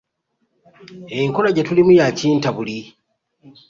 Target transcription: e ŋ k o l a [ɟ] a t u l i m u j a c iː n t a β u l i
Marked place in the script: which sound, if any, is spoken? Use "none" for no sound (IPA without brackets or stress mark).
ɟ